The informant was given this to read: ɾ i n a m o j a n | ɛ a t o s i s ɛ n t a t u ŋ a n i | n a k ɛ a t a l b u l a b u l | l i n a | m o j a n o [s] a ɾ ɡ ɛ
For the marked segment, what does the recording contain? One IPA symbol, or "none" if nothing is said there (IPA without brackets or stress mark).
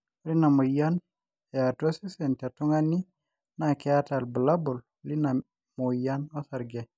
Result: s